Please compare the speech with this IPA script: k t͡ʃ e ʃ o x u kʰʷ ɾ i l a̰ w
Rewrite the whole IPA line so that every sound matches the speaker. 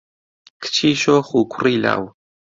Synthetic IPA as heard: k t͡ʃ i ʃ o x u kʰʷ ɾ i l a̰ w